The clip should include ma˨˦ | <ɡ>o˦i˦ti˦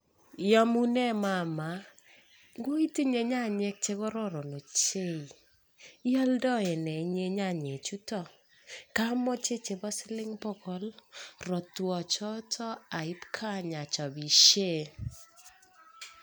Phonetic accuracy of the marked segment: correct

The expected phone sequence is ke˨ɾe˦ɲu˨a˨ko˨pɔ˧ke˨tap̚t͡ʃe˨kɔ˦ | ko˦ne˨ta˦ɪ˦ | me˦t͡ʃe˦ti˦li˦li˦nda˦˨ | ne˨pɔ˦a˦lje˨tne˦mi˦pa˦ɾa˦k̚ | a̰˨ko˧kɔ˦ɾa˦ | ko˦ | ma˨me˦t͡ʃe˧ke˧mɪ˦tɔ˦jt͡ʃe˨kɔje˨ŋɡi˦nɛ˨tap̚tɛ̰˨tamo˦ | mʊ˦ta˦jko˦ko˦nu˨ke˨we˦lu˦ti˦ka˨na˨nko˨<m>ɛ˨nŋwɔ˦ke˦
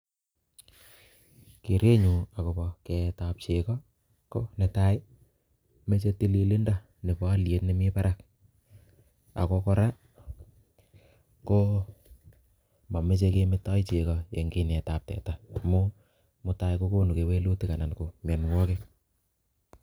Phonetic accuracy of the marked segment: correct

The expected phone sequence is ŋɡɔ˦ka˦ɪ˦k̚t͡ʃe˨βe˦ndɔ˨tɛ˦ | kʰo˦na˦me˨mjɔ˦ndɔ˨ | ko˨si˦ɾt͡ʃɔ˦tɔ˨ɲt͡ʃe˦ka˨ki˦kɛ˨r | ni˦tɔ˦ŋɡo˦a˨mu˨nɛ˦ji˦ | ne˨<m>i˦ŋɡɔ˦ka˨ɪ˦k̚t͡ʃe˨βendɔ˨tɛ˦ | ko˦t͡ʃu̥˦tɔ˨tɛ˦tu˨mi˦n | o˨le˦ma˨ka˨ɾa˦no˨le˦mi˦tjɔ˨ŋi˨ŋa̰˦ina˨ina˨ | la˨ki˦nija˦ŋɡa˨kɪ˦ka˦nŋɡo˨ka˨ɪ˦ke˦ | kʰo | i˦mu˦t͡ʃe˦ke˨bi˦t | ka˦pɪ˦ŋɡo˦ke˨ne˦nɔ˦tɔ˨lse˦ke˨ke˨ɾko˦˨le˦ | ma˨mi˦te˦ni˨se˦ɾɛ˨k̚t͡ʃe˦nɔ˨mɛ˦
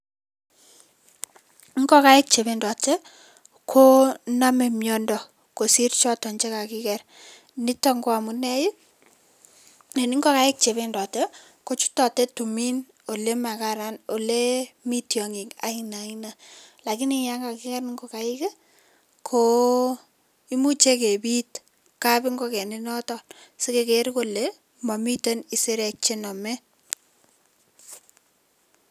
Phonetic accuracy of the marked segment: incorrect: n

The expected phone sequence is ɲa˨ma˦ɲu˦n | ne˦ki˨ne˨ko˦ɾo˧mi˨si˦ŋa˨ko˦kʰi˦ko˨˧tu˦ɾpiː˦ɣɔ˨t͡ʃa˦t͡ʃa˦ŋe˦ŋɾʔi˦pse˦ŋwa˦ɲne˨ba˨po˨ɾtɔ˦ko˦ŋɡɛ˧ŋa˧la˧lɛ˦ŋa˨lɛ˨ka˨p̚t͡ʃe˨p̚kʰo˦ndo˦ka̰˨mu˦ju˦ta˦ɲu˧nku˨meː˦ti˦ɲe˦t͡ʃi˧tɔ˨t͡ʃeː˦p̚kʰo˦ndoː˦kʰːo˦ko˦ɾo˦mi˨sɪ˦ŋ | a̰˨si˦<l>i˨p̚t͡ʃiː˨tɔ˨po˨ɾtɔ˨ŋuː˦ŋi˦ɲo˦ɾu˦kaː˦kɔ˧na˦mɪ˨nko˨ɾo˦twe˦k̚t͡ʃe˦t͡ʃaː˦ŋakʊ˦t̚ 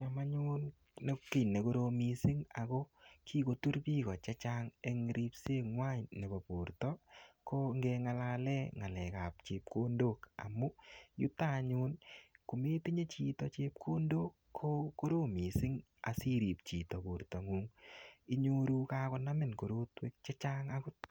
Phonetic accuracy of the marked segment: incorrect: ɾ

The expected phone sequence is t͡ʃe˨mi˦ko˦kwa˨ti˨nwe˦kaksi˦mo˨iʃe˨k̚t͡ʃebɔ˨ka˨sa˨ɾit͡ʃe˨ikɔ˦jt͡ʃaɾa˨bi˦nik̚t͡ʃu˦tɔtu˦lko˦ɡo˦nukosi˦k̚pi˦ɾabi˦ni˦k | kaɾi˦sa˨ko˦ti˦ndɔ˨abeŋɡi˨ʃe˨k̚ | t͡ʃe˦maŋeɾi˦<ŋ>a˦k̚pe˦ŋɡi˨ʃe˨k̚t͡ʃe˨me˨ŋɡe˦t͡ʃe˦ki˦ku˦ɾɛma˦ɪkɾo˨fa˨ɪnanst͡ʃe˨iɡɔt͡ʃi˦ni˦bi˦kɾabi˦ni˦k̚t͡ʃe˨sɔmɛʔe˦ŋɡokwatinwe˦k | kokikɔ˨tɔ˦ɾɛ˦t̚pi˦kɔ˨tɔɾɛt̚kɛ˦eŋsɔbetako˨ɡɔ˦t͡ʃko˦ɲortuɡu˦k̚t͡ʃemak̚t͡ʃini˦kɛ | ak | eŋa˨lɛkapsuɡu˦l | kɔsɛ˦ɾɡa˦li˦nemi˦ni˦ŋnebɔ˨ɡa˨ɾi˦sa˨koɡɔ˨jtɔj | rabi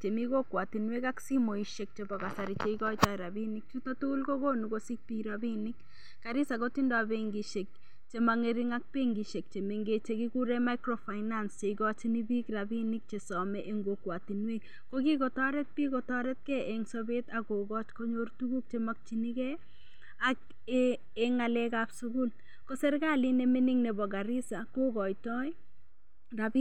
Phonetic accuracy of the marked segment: correct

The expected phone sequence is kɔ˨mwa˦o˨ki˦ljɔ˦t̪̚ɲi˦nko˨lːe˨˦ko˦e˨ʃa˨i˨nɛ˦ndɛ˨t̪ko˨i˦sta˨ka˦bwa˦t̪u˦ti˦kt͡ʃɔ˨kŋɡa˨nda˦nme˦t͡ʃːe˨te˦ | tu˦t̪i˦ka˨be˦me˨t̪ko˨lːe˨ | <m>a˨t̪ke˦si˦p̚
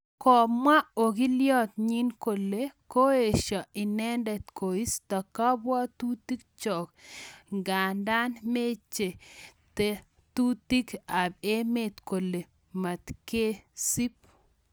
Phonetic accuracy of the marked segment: correct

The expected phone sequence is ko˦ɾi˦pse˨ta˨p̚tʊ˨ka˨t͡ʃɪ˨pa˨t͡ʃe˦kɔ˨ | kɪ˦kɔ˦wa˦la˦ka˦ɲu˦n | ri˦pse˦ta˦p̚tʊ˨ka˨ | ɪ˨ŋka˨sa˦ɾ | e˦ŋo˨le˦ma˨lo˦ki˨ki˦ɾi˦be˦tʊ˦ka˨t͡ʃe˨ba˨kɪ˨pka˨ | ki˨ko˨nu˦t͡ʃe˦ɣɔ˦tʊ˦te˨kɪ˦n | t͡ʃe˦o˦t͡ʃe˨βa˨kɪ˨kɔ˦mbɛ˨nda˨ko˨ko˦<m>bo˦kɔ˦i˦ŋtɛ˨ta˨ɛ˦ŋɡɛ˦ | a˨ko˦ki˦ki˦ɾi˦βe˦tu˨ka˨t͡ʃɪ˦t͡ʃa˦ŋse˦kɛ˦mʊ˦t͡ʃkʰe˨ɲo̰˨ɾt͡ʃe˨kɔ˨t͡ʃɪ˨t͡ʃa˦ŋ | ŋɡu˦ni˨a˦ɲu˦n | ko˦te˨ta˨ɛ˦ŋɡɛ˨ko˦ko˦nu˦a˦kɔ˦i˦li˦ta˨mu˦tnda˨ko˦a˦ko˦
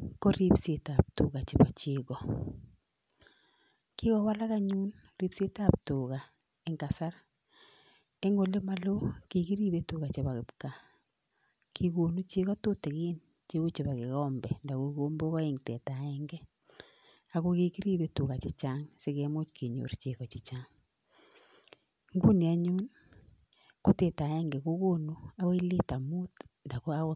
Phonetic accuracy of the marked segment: correct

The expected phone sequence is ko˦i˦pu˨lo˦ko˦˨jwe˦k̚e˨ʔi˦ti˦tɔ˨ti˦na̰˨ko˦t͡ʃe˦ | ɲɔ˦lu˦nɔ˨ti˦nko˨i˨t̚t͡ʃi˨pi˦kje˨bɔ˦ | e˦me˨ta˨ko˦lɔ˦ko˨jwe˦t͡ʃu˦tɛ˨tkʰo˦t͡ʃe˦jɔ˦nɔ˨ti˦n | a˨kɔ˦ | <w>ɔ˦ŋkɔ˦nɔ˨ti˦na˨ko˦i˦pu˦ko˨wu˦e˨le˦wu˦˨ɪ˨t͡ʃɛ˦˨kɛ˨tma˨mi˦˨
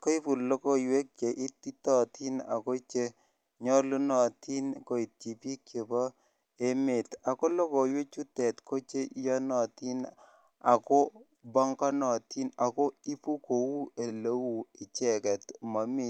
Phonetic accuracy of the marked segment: incorrect: b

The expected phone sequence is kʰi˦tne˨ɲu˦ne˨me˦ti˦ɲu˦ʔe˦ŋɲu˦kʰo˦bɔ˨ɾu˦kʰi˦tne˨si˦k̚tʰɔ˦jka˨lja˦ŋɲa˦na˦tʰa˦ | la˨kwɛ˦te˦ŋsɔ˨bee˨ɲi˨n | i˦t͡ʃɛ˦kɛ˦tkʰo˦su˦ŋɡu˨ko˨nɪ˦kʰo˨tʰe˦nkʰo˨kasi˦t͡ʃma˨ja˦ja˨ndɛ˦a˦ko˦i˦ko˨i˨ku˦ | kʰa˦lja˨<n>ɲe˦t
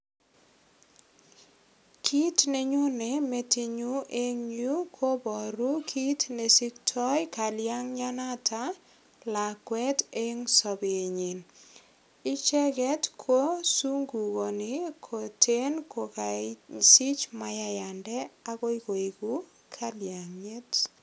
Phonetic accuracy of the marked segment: incorrect: ŋ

